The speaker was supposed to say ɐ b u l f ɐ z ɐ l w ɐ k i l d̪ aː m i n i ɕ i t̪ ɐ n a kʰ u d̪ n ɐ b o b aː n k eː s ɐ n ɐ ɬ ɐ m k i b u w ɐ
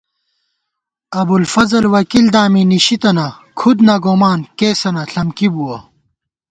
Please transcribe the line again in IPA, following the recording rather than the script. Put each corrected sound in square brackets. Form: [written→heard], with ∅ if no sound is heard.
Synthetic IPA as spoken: ɐ b u l f ɐ z ɐ l w ɐ k i l d̪ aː m i n i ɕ i t̪ ɐ n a kʰ u d̪ n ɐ [b→ɡ] o [b→m] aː n k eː s ɐ n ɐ ɬ ɐ m k i b u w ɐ